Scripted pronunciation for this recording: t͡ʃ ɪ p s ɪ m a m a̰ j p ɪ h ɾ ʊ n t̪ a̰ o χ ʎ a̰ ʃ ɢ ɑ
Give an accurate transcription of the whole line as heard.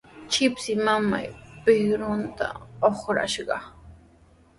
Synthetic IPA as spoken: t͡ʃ ɪ p s ɪ m a m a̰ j p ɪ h ɾ ʊ n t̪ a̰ o χ ɾ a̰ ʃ ɢ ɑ